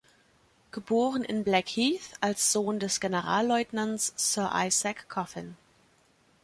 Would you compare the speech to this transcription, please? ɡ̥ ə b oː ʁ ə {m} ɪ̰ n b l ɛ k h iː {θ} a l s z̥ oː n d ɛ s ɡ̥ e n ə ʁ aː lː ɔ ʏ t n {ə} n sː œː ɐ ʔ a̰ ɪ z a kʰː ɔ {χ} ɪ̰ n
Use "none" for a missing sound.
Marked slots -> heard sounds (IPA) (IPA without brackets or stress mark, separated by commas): n, θ, a, f